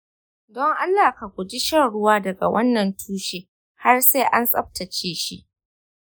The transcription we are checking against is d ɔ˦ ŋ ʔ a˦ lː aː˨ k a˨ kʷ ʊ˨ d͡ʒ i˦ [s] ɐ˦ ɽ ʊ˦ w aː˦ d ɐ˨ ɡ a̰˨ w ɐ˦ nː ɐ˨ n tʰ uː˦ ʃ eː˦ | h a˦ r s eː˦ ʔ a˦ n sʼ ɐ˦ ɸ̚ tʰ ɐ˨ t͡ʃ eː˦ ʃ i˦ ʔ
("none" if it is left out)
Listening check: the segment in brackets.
ʃ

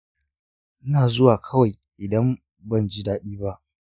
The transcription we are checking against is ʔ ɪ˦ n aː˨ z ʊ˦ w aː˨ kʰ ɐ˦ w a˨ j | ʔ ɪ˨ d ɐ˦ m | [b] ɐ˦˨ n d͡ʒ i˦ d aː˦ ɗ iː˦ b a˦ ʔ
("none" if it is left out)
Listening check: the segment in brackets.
b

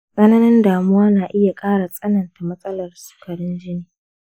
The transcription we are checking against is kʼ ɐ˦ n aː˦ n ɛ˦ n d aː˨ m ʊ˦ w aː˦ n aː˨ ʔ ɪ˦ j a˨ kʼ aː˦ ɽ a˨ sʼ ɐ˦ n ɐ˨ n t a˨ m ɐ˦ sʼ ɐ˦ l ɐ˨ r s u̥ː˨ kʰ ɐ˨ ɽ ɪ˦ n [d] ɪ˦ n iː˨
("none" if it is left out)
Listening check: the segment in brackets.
d͡ʒ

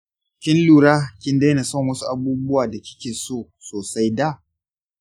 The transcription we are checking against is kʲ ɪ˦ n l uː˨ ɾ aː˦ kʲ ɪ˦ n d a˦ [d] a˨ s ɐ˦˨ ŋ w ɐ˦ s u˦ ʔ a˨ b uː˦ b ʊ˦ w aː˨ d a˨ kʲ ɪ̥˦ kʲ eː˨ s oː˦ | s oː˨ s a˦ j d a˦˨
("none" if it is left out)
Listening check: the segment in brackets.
n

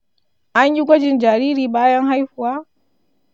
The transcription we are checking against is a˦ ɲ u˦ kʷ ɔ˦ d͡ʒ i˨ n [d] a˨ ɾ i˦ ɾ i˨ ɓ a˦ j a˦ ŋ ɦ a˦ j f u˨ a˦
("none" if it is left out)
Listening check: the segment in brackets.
d͡ʒ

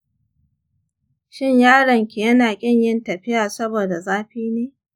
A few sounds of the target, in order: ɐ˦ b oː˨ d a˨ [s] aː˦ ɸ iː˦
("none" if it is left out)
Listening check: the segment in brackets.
z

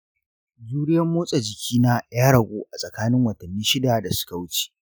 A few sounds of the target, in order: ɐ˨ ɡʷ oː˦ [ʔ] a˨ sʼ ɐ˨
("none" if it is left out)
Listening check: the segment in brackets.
ʔ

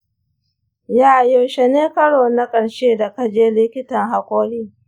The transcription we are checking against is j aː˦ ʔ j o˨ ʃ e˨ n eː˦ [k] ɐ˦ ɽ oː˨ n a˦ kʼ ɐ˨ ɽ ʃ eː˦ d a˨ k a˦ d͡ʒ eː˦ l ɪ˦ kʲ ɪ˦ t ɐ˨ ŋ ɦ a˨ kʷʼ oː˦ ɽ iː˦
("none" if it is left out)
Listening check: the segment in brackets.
k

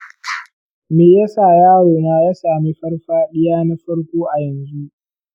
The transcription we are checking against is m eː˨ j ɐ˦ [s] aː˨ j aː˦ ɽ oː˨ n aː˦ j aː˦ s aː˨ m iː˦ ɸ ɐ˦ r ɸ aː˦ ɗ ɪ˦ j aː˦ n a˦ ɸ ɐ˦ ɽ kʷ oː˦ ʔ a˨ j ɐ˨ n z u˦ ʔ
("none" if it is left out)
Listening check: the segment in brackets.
s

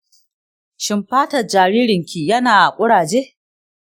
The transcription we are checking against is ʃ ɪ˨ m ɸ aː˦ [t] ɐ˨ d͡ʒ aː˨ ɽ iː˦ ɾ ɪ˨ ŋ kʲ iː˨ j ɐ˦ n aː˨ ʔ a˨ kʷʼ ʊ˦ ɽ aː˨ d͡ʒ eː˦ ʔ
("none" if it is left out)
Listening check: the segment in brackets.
t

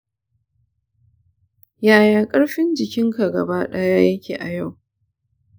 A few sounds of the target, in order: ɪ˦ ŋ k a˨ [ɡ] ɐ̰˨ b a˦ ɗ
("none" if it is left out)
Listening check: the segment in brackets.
ɡ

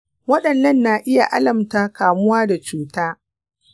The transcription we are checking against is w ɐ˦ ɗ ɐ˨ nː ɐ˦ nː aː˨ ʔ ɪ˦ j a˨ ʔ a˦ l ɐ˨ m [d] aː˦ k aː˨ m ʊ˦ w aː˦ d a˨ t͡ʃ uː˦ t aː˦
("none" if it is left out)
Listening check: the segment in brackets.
t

